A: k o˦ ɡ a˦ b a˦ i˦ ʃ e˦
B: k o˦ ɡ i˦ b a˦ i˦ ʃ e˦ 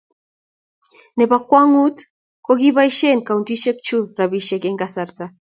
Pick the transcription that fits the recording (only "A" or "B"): B